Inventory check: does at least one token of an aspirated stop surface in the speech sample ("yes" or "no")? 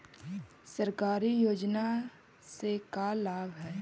no